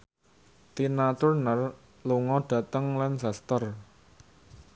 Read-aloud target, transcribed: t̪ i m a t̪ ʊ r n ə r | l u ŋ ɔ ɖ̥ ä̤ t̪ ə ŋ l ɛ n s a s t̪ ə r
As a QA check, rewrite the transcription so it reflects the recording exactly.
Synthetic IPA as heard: t̪ i n a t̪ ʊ r n ə r | l u ŋ ɔ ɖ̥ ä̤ t̪ ə ŋ l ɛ n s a s t̪ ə r

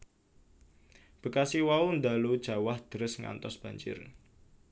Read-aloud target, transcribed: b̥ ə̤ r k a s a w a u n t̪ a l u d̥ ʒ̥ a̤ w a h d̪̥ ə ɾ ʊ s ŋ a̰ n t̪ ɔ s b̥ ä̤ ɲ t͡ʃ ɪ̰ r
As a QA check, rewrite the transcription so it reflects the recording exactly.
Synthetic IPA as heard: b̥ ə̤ k a s i w a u n d̪ a l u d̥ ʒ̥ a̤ w a h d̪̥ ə ɾ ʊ s ŋ a̰ n t̪ ɔ s b̥ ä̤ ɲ t͡ʃ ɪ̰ r

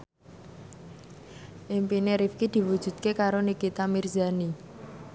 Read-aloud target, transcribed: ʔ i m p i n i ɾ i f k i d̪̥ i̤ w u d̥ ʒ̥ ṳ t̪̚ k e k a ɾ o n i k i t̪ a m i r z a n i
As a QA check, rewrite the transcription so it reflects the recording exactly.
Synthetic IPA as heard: ʔ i m p i n e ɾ i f k i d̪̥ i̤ w u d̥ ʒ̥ ṳ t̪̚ k e k a ɾ o n i k i t̪ a m i r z a n i

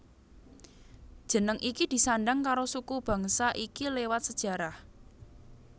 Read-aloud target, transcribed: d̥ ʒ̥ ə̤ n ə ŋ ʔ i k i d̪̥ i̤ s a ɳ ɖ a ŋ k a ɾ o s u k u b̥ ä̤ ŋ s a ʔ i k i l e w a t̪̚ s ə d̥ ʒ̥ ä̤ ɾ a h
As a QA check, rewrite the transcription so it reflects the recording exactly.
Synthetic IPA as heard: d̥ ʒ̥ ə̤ n ə ŋ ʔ i k i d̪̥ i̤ s a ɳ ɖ a ŋ k a ɾ o s u k u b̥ ä̤ ŋ s a ʔ i k i l e w a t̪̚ s ə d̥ ʒ̥ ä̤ ɾ a h

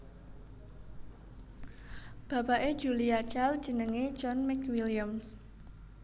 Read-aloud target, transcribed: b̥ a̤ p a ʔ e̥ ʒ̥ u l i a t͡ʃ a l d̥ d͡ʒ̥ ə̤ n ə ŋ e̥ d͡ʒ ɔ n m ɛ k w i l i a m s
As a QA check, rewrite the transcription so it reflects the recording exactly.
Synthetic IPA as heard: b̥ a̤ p a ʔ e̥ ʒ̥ u l i a t͡ʃ a l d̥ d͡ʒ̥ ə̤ n ə ŋ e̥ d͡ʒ ɔ n m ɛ k w i l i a m s

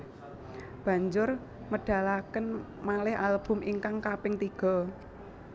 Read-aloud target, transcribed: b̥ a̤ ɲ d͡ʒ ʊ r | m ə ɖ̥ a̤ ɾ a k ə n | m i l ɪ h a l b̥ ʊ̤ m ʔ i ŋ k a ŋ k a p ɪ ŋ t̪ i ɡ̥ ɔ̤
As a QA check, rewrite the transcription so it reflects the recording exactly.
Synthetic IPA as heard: b̥ a̤ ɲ d͡ʒ ʊ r | m ə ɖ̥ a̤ l a k ə n | m a l ɪ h a l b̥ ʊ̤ m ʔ i ŋ k a ŋ k a p ɪ ŋ t̪ i ɡ̥ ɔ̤

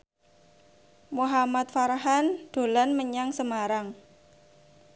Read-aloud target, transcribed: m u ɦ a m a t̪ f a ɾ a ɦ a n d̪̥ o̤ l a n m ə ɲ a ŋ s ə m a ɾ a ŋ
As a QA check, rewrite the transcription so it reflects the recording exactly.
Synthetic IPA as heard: m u ɦ a m a t̪ f a ɾ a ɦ a n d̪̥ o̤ l a n m ə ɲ a ŋ s ə m a ɾ a ŋ

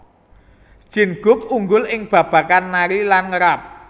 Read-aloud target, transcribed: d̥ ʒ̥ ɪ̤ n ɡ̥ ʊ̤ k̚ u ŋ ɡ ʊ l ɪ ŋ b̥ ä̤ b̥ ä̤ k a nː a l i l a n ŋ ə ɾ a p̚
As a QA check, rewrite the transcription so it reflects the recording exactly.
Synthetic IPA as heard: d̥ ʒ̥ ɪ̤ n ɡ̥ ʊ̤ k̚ u ŋ ɡ ʊ l ɪ ŋ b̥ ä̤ b̥ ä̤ k a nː a ɾ i l a n ŋ ə ɾ a p̚

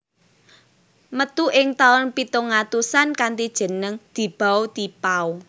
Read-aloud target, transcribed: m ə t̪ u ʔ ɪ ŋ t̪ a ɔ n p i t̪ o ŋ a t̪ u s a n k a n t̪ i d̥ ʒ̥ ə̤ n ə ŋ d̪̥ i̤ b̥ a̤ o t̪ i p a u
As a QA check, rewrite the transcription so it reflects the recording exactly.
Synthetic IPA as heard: m ə t̪ u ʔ ɪ ŋ t̪ a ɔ n p i t̪ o ŋ a t̪ u s a n k a n t̪ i d̥ ʒ̥ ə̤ n ə ŋ d̪̥ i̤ b̥ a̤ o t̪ i p a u

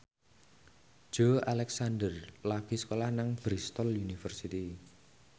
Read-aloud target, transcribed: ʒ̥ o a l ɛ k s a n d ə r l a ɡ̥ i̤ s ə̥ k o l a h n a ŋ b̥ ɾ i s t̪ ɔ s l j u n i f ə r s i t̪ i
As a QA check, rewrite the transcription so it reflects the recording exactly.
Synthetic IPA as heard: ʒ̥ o a l ɛ k s a n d ə r l a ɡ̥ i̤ s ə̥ k o l a h n a ŋ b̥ ɾ i s t̪ ɔ l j u n i f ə r s i t̪ i

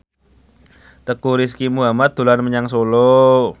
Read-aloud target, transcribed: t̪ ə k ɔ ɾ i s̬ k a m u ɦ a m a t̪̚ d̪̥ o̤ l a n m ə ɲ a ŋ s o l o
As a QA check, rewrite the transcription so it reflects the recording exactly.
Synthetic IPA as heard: t̪ ə k u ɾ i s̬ k i m u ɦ a m a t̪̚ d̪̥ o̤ l a n m ə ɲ a ŋ s o l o

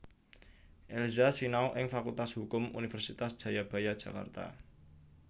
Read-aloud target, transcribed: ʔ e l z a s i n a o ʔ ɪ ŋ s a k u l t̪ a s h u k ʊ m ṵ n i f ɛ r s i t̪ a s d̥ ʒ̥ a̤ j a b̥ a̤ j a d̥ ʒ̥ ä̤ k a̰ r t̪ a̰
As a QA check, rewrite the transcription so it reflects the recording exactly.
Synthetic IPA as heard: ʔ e l z a s i n a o ʔ ɪ ŋ f a k u l t̪ a s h u k ʊ m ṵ n i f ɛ r s i t̪ a s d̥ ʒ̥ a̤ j a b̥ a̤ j a d̥ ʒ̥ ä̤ k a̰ r t̪ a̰

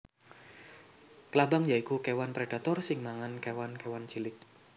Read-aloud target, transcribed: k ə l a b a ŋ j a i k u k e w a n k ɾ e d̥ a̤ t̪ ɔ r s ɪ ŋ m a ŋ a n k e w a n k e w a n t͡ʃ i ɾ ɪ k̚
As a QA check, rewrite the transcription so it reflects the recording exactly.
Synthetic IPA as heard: k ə l a b a ŋ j a i k u k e w a n p ɾ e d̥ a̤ t̪ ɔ r s ɪ ŋ m a ŋ a n k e w a n k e w a n t͡ʃ i l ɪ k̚

